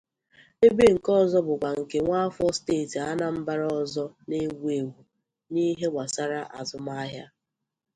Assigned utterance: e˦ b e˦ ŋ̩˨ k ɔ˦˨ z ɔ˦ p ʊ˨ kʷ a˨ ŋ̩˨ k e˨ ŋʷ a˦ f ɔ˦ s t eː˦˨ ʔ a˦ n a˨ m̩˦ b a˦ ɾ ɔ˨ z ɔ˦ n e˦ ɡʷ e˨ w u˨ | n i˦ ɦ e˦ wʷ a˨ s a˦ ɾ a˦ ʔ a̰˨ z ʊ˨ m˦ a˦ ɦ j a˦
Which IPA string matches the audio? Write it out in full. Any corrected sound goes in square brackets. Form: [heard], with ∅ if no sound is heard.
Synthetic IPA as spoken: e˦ b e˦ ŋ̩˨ k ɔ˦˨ z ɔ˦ [b] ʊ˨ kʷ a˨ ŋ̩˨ k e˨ ŋʷ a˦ f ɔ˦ s t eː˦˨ [t] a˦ n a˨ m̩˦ b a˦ ɾ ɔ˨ z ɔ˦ n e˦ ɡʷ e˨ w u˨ | n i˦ ɦ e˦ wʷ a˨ s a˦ ɾ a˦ ʔ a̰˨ z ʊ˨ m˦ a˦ ɦ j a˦